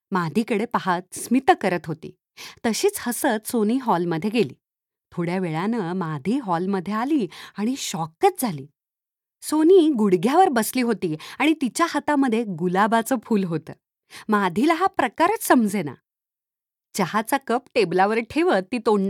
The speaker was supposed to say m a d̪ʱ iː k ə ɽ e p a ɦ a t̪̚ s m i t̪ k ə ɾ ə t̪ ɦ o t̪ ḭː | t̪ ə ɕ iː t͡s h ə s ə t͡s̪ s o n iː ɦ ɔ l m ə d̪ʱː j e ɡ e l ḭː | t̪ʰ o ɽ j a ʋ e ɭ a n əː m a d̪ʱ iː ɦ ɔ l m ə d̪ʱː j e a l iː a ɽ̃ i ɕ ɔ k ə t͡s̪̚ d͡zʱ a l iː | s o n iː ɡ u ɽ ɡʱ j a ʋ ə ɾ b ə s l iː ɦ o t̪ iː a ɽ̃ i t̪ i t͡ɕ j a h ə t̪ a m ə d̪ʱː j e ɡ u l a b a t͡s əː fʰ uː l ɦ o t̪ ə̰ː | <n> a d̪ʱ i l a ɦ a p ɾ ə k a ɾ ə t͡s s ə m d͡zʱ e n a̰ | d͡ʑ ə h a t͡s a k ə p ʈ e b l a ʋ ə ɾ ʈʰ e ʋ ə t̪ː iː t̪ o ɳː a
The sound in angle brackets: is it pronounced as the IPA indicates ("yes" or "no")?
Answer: no